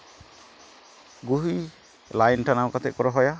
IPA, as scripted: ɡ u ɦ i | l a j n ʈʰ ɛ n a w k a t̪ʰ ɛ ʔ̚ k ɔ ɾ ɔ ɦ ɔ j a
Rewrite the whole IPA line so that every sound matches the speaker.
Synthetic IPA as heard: ɡ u ɦ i | l a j n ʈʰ a n a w k a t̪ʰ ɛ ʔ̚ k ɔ ɾ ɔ ɦ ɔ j a